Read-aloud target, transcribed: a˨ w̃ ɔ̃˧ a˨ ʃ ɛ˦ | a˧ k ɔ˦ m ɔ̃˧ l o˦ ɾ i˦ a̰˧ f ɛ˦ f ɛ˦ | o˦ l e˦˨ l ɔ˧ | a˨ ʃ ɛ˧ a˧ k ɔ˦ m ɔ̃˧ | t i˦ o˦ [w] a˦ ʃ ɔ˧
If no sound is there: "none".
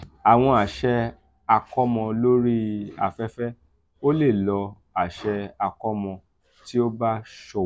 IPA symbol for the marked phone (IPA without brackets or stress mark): b